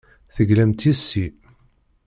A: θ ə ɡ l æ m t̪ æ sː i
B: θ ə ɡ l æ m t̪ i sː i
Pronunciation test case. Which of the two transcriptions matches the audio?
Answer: B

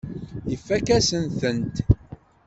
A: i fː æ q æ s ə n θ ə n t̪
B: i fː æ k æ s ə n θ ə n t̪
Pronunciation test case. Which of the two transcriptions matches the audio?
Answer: B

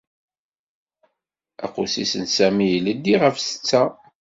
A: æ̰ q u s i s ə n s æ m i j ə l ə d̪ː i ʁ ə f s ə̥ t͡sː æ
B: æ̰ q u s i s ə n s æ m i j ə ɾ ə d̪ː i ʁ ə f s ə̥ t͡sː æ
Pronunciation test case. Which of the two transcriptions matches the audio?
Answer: A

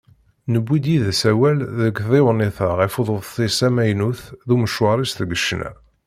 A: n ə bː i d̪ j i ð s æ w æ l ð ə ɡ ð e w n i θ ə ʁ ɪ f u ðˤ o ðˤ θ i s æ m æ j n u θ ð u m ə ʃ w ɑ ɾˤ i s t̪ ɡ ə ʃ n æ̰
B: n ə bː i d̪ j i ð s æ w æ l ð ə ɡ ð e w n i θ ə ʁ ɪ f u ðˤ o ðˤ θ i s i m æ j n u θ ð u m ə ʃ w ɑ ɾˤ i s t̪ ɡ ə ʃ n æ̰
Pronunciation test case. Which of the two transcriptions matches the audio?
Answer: A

